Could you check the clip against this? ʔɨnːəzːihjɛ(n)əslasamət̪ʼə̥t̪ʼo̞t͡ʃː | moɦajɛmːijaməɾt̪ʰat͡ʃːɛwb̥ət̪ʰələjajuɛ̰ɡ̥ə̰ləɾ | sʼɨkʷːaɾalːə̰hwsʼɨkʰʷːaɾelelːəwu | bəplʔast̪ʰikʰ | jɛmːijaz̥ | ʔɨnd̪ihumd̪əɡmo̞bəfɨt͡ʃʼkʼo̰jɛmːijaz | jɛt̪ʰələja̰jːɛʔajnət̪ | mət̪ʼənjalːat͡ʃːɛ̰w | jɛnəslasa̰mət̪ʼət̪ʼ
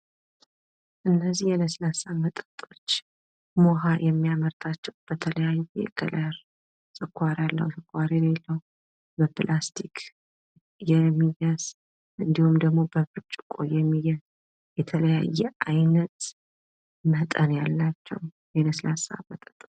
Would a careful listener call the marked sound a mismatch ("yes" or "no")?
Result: no